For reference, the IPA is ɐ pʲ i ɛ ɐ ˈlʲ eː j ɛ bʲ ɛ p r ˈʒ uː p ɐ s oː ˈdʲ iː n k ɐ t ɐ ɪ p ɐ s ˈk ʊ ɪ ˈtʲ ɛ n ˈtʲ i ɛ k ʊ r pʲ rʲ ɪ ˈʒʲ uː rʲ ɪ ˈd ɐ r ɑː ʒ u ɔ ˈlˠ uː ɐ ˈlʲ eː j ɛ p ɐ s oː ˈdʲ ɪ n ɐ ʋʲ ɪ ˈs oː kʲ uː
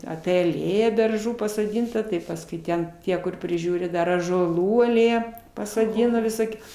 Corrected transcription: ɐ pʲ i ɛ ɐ ˈlʲ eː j ɛ bʲ ɛ r ˈʒ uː p ɐ s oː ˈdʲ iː n t ɐ t ɐ ɪ p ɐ s ˈk ʊ ɪ ˈtʲ ɛ n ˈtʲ i ɛ k ʊ r pʲ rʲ ɪ ˈʒʲ uː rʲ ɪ ˈd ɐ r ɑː ʒ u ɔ ˈlˠ uː ɐ ˈlʲ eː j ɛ p ɐ s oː ˈdʲ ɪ n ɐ ʋʲ ɪ ˈs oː kʲ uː